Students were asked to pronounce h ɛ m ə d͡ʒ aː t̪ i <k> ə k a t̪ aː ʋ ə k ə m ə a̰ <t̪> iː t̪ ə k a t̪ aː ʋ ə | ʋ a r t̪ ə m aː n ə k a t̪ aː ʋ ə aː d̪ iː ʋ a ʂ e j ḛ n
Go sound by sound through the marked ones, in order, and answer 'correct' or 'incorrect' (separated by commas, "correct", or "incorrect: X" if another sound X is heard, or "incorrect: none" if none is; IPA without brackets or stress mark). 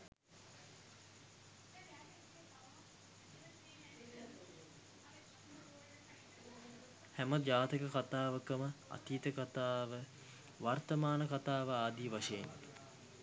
correct, correct